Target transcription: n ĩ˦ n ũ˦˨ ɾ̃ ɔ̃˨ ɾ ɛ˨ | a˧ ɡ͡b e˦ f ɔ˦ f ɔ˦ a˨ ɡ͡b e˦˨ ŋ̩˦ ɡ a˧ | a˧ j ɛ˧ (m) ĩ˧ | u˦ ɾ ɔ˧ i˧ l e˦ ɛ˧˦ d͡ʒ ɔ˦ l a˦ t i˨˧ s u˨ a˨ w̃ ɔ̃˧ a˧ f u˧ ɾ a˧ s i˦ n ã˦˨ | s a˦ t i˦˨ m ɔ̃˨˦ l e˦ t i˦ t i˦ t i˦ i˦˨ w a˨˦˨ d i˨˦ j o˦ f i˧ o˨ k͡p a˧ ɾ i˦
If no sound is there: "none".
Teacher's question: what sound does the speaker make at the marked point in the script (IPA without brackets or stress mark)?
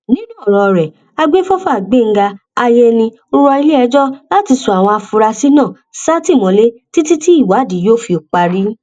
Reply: n